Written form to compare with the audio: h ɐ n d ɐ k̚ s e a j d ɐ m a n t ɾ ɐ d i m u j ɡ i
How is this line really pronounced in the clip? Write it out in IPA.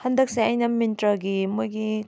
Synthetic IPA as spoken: h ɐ n d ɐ k̚ s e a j n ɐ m i n t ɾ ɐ ɡ i m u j ɡ i